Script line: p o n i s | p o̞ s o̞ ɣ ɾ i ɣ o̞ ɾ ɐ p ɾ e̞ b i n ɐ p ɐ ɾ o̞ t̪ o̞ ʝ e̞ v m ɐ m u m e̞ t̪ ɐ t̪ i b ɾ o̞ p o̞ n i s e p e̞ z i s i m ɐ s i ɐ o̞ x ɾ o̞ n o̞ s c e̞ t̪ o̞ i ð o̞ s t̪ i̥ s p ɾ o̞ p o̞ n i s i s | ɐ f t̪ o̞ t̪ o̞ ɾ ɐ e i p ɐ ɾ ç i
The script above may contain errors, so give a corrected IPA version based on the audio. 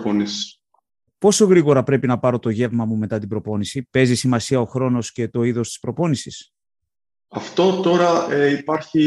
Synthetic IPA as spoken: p o n i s | p o̞ s o̞ ɣ ɾ i ɣ o̞ ɾ ɐ p ɾ e̞ p i n ɐ p ɐ ɾ o̞ t̪ o̞ ʝ e̞ v m ɐ m u m e̞ t̪ ɐ t̪ i b ɾ o̞ p o̞ n i s i p e̞ z i s i m ɐ s i ɐ o̞ x ɾ o̞ n o̞ s c e̞ t̪ o̞ i ð o̞ s t̪ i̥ s p ɾ o̞ p o̞ n i s i s | ɐ f t̪ o̞ t̪ o̞ ɾ ɐ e i p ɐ ɾ ç i